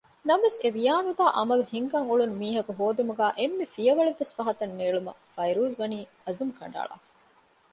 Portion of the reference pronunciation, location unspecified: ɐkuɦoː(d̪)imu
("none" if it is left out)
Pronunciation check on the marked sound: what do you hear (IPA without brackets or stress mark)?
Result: d̪